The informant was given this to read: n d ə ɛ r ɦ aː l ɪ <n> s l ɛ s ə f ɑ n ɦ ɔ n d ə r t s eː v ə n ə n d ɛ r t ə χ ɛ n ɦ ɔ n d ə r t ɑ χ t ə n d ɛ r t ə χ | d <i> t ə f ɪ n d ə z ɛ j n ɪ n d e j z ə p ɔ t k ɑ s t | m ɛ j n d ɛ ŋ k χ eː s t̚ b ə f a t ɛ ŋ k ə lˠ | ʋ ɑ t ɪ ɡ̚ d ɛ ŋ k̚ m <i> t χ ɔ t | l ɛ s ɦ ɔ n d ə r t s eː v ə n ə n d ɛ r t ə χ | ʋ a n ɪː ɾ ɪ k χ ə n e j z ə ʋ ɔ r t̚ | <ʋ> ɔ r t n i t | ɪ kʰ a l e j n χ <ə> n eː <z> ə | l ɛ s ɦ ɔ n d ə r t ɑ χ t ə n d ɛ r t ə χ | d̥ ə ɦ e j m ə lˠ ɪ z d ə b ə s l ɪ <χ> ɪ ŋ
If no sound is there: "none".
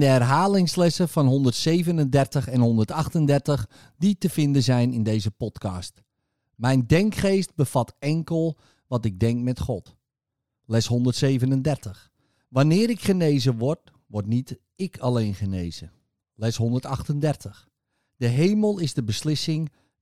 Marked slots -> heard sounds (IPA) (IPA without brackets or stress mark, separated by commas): ŋ, i, ɛ, ʋ, ə, z, s